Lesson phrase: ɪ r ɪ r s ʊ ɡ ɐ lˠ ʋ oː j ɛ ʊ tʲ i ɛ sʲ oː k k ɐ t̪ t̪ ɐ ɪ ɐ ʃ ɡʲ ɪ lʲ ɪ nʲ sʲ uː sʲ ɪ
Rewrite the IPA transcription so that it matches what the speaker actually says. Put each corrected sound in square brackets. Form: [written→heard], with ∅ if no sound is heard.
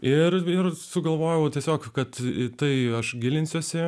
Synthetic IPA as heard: ɪ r ɪ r s ʊ ɡ ɐ lˠ ʋ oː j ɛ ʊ tʲ i ɛ sʲ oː k k ɐ t̪ t̪ ɐ ɪ ɐ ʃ ɡʲ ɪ lʲ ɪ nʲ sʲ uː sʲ ɪ

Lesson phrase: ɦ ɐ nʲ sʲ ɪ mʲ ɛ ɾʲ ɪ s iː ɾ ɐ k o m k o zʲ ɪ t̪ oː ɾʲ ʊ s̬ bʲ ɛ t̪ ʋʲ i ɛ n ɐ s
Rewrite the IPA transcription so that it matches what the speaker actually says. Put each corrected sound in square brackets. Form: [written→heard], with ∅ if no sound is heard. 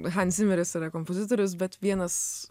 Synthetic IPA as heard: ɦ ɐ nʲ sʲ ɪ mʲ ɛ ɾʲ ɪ s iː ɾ ɐ k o m [k→p] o zʲ ɪ t̪ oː ɾʲ ʊ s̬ bʲ ɛ t̪ ʋʲ i ɛ n ɐ s

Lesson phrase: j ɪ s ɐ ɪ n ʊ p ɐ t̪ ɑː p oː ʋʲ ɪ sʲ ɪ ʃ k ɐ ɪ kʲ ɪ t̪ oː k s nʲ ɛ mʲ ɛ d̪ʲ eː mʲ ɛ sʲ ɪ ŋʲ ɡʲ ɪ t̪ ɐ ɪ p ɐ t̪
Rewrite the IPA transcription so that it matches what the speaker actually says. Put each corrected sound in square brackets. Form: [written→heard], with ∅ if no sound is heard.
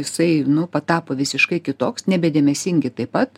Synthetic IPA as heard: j ɪ s ɐ ɪ n ʊ p ɐ t̪ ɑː p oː ʋʲ ɪ sʲ ɪ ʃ k ɐ ɪ kʲ ɪ t̪ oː k s nʲ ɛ [mʲ→bʲ] ɛ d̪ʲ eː mʲ ɛ sʲ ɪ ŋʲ ɡʲ ɪ t̪ ɐ ɪ p ɐ t̪

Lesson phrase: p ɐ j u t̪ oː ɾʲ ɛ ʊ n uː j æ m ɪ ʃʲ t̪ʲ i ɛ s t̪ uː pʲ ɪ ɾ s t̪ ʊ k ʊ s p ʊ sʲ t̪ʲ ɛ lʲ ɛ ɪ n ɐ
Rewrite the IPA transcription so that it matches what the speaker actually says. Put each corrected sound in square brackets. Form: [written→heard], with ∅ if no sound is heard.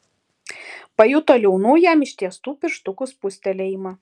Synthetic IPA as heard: p ɐ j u t̪ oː [ɾʲ→lʲ] ɛ ʊ n uː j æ m ɪ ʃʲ t̪ʲ i ɛ s t̪ uː pʲ ɪ ɾ [s→ʃ] t̪ ʊ k ʊ s p ʊ sʲ t̪ʲ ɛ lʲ ɛ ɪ [n→m] ɐ

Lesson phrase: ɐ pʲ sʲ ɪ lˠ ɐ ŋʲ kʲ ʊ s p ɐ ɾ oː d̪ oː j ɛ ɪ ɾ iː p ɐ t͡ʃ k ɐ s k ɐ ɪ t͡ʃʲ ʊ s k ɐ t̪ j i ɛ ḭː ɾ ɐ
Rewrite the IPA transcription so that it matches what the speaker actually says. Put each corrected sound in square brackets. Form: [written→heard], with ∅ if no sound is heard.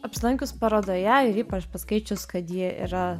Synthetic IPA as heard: ɐ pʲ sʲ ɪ lˠ ɐ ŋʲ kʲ ʊ s p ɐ ɾ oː d̪ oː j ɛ ɪ ɾ iː p ɐ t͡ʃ [k→p] ɐ s k ɐ ɪ t͡ʃʲ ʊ s k ɐ t̪ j i ɛ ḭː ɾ ɐ

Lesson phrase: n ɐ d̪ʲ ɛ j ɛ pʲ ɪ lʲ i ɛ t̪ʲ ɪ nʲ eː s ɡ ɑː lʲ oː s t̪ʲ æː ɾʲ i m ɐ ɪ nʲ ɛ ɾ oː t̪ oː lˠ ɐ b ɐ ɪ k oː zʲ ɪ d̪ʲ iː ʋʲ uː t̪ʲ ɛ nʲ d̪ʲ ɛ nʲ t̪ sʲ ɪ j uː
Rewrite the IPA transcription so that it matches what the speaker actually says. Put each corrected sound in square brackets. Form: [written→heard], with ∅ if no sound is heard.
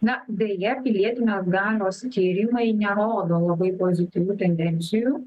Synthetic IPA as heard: n ɐ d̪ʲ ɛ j ɛ pʲ ɪ lʲ i ɛ t̪ʲ ɪ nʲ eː s ɡ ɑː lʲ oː s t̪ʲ [æː→iː] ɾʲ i m ɐ ɪ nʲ ɛ ɾ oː [t̪→d̪] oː lˠ ɐ b ɐ ɪ [k→p] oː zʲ ɪ [d̪ʲ→t̪ʲ] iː ʋʲ uː t̪ʲ ɛ nʲ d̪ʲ ɛ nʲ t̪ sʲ ɪ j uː

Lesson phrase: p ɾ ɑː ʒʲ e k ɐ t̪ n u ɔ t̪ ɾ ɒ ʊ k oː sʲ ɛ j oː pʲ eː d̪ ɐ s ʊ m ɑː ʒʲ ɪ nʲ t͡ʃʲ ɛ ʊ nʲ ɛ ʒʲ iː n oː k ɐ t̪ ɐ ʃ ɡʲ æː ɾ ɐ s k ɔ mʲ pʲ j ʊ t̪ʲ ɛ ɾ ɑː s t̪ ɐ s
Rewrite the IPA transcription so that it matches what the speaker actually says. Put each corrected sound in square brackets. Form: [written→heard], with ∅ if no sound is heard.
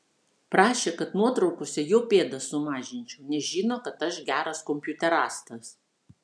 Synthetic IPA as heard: p ɾ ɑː [ʒʲ→ʃʲ] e k ɐ t̪ n u ɔ t̪ ɾ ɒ ʊ k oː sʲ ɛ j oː pʲ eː d̪ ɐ s ʊ m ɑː ʒʲ ɪ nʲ t͡ʃʲ ɛ ʊ nʲ ɛ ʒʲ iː n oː k ɐ t̪ ɐ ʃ ɡʲ æː ɾ ɐ s k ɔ mʲ pʲ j ʊ t̪ʲ ɛ ɾ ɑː s t̪ ɐ s

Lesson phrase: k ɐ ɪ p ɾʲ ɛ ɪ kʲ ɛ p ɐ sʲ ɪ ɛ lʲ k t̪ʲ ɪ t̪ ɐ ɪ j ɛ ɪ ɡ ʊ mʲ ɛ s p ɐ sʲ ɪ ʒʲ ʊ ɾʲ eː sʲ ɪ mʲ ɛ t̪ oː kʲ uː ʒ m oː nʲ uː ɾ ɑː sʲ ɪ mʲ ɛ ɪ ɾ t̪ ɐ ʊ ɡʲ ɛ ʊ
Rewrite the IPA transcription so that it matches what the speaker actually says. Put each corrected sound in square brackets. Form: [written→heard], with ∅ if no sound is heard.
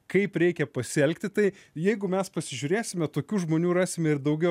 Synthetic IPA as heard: k ɐ ɪ p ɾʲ ɛ ɪ kʲ ɛ p ɐ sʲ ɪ ɛ lʲ k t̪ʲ ɪ t̪ ɐ ɪ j ɛ ɪ ɡ ʊ mʲ ɛ s p ɐ sʲ ɪ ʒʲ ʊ ɾʲ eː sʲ ɪ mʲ ɛ t̪ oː kʲ uː ʒ m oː nʲ uː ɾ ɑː sʲ ɪ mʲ ɛ ɪ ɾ [t̪→d̪] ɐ ʊ ɡʲ ɛ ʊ

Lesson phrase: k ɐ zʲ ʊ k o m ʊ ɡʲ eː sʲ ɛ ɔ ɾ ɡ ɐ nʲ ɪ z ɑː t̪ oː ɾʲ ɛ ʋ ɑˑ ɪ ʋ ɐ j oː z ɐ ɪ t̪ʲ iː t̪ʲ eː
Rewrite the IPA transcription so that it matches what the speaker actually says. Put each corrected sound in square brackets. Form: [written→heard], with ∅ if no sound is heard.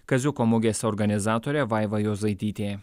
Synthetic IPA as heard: k ɐ zʲ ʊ k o m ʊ ɡʲ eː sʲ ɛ ɔ ɾ ɡ ɐ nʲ ɪ z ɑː t̪ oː ɾʲ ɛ ʋ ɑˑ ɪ ʋ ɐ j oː z ɐ ɪ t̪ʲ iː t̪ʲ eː

